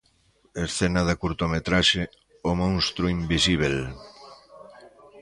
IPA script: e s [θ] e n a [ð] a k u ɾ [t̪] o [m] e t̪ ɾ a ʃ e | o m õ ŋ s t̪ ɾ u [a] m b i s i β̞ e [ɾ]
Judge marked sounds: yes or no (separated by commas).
yes, yes, yes, yes, no, no